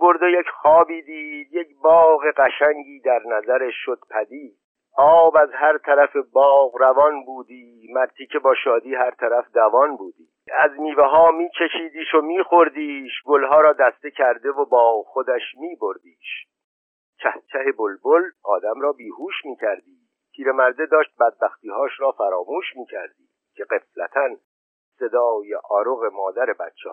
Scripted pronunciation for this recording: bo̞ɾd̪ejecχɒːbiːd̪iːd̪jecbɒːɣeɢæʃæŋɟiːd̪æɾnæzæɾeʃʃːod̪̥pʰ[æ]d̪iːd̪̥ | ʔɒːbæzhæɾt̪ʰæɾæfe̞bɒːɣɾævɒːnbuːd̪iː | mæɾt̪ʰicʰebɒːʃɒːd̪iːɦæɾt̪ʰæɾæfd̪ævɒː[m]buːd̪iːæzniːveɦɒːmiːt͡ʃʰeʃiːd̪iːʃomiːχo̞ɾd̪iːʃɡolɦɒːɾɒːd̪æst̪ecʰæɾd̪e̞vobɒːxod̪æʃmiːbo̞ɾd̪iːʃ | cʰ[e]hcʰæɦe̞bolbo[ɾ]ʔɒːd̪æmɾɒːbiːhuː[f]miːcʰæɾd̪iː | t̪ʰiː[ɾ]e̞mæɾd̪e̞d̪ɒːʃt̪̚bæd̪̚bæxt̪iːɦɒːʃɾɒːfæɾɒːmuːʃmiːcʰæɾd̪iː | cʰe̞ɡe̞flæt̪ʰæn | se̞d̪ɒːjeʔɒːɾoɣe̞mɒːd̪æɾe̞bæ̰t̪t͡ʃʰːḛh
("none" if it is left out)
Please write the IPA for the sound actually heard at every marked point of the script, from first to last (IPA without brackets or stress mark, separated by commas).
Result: æ, n, æ, l, ʃ, ɾ